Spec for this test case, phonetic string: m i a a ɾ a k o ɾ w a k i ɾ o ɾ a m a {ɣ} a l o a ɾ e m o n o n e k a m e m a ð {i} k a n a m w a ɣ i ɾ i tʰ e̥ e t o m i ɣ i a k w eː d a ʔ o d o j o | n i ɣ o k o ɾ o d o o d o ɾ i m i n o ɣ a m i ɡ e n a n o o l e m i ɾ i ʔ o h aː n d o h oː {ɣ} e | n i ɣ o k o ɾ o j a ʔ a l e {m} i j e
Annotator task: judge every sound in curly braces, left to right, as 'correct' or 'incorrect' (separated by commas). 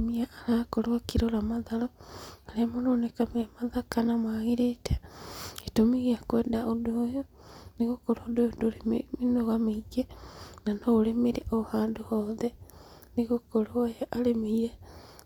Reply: incorrect, incorrect, incorrect, correct